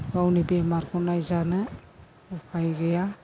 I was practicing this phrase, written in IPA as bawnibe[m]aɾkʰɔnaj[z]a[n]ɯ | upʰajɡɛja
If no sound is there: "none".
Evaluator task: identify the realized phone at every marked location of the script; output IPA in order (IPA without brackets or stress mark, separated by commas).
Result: m, z, n